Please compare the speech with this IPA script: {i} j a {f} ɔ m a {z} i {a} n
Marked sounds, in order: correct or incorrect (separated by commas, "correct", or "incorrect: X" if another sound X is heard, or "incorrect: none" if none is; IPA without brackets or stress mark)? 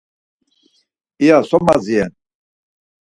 correct, incorrect: s, correct, incorrect: ɛ